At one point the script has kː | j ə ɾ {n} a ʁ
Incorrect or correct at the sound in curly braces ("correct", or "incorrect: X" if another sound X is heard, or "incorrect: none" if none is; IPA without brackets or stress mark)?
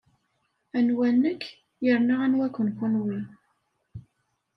correct